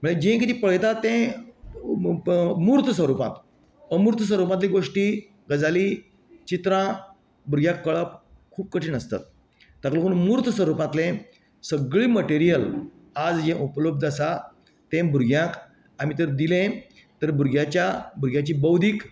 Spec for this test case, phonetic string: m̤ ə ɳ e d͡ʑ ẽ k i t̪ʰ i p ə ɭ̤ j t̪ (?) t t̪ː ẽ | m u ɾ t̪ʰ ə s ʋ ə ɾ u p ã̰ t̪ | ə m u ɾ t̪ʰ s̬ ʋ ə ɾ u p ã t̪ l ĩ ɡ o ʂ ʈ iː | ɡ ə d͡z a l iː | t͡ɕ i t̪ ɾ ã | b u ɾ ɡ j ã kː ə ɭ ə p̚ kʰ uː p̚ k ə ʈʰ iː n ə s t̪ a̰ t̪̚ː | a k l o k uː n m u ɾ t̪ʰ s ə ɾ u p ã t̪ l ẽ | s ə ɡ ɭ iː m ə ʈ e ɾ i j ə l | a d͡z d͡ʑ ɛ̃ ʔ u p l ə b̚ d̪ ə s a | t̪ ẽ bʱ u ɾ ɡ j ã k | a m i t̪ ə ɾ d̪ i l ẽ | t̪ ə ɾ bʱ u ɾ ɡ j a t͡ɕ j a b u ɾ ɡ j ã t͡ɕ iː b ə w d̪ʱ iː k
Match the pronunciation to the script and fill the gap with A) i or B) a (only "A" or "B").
B